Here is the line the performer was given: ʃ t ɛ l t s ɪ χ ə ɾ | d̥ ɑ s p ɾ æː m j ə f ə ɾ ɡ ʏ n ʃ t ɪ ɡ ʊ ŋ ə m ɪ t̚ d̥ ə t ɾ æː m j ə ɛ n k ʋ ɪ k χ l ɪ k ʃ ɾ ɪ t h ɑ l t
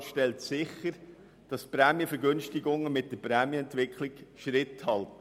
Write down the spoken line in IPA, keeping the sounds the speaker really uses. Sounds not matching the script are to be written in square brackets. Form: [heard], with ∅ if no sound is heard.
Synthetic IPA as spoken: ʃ t ɛ l t s ɪ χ ə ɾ | d̥ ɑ s p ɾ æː m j ə f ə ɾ ɡ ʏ n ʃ t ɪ ɡ ʊ ŋ ə m ɪ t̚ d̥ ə [p] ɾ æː m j ə ɛ n [t] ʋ ɪ k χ l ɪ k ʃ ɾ ɪ t h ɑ l t

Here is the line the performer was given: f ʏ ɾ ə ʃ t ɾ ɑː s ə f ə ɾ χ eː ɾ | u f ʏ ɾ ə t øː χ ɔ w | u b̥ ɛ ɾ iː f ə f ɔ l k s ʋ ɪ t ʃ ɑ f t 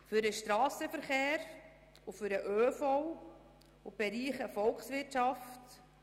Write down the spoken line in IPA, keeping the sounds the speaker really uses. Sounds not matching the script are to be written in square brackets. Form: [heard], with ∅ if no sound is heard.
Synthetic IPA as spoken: f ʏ ɾ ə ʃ t ɾ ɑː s ə f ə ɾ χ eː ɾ | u f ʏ ɾ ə [ʔ] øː [f] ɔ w | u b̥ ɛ ɾ iː [χ] ə f ɔ l k s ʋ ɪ t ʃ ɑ f t

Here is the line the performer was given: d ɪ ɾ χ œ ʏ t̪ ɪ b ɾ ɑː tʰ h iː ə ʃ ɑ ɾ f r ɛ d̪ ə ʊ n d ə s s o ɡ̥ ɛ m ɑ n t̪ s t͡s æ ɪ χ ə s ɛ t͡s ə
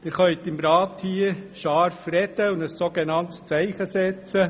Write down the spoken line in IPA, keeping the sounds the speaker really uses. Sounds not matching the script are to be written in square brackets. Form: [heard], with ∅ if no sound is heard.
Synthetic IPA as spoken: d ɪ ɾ χ œ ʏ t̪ ɪ [m] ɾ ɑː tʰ h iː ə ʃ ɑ ɾ f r ɛ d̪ ə ʊ n d ə s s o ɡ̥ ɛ [n] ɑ n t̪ s t͡s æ ɪ χ ə s ɛ t͡s ə

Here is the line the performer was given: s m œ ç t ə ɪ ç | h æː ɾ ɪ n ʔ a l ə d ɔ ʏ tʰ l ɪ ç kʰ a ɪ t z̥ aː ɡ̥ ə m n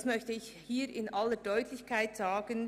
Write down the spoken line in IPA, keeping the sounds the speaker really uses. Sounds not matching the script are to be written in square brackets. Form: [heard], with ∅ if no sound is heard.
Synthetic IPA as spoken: s m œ ç t ə ɪ ç | h [iː] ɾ ɪ n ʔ a l ə d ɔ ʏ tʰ l ɪ ç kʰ a ɪ t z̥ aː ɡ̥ ə [∅] n

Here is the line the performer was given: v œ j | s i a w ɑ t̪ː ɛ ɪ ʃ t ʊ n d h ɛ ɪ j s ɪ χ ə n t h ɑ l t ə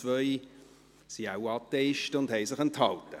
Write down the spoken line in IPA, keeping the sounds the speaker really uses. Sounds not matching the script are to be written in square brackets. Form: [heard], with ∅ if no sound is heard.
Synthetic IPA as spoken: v œ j | s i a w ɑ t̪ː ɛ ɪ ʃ t ʊ n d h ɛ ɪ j s ɪ χ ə n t h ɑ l t ə

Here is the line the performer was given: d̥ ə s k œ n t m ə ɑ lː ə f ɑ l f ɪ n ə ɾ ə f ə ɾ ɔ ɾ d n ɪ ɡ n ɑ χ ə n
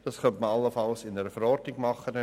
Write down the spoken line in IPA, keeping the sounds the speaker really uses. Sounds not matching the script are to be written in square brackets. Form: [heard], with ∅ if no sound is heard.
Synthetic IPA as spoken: d̥ [ɑ] s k œ n t m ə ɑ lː ə f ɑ l [s] ɪ n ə ɾ ə f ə ɾ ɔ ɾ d n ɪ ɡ [m] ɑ χ ə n

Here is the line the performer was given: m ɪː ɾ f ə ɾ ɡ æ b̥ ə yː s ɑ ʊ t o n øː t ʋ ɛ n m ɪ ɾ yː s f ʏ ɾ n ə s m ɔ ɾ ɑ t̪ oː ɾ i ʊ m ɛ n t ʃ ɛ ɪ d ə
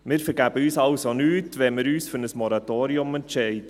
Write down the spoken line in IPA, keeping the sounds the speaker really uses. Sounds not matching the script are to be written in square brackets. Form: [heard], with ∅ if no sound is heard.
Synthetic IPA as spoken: m ɪː ɾ f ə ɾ ɡ æ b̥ ə yː s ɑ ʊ [s] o n [yː] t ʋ ɛ n m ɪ ɾ yː s f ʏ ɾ n ə s m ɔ ɾ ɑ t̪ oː ɾ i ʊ m ɛ n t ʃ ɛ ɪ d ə

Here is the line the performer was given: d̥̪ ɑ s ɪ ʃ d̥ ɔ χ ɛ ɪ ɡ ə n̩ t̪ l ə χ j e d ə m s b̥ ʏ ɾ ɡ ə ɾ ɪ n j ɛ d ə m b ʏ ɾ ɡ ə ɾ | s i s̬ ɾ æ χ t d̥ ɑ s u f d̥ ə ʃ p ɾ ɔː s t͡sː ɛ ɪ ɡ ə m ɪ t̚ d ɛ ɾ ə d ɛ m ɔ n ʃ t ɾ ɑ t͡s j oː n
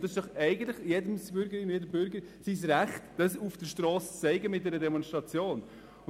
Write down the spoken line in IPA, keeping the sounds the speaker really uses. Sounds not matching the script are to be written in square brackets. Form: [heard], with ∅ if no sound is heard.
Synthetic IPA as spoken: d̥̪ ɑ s ɪ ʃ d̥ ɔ χ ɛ ɪ ɡ ə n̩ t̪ l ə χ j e d ə m s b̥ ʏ ɾ ɡ ə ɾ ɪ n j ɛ d ə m b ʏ ɾ ɡ ə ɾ | s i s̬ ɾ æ χ t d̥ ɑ s u f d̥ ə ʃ [t] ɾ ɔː s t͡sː ɛ ɪ ɡ ə m ɪ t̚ d ɛ ɾ ə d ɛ m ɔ n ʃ t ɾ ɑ t͡s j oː n

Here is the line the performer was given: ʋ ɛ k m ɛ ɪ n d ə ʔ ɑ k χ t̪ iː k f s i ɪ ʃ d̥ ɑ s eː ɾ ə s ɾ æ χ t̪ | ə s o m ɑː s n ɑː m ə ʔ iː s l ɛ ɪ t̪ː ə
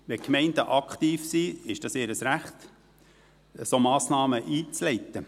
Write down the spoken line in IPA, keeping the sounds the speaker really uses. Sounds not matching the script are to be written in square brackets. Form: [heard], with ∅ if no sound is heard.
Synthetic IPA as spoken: ʋ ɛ k m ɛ ɪ n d ə ʔ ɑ k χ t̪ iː [∅] f s i ɪ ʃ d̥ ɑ s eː ɾ ə s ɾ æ χ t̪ | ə s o m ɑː s n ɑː m ə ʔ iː [t͡s] l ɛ ɪ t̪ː ə

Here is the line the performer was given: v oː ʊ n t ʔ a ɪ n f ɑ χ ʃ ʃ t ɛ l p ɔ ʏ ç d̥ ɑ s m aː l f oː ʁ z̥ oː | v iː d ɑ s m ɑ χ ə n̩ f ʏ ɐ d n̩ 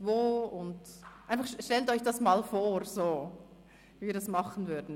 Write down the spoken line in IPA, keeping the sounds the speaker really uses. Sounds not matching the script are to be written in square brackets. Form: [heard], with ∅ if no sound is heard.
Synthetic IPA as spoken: v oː ʊ n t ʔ a ɪ n f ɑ χ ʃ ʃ t ɛ l [t] ɔ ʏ ç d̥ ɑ s m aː l f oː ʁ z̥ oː | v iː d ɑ s m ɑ χ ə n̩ [v] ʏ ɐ d n̩

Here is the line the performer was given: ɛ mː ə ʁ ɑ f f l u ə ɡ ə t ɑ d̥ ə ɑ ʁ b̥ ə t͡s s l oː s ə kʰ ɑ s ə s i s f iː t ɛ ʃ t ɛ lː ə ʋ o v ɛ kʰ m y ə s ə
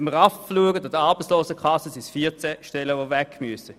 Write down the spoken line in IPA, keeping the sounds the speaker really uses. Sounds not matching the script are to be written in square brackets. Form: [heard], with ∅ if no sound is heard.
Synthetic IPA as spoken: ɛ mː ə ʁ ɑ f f l u ə ɡ ə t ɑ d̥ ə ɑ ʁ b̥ ə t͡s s l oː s ə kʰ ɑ s ə s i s f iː [t͡s] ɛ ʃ t ɛ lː ə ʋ o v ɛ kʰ m y ə s ə

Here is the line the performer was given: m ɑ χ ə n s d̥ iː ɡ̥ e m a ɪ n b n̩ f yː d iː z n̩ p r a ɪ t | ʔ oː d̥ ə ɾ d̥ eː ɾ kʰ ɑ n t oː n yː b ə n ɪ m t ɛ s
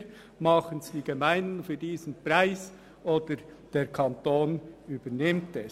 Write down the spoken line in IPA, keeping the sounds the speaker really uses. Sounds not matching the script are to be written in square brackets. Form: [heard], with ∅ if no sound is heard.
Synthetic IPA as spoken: m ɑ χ ə n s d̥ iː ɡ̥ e m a ɪ n [d] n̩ f yː d iː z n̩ p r a ɪ [s] | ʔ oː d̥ ə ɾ d̥ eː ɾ kʰ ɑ n t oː n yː b ə n ɪ m t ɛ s

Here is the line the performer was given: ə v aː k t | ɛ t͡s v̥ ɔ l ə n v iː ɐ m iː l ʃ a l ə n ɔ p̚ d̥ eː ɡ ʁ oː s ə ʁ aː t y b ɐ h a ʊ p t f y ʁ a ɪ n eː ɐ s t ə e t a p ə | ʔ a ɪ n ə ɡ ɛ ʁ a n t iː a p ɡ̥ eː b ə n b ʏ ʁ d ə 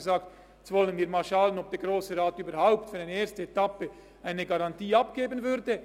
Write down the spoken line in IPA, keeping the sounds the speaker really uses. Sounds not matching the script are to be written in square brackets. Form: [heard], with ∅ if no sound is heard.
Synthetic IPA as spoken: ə [z] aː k t | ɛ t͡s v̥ ɔ l ə n v iː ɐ m [aː] l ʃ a l ə n ɔ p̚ d̥ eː ɡ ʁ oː s ə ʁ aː t [yː] b ɐ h a ʊ p t f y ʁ a ɪ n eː ɐ s t ə e t a p ə | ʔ a ɪ n ə ɡ [a] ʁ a n t iː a p ɡ̥ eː b ə n [v] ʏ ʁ d ə

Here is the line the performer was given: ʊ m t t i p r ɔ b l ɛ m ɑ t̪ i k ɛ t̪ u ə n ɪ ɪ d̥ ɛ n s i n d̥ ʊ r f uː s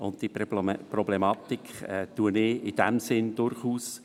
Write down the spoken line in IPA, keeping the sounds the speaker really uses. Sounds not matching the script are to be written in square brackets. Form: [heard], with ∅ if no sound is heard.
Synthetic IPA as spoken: ʊ [n] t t i p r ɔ b l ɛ m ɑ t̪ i k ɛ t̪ u ə n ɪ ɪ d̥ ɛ [m] s [ɪ] n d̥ ʊ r [χ] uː s

